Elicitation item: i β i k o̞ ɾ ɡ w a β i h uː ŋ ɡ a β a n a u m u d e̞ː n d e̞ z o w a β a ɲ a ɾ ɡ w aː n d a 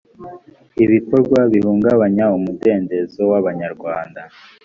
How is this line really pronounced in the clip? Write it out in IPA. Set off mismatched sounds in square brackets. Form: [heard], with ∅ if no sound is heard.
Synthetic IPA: i β i k o̞ ɾ ɡ w a β i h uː ŋ ɡ a β a [ɲ] a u m u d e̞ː n d e̞ z o w a β a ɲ a ɾ ɡ w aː n d a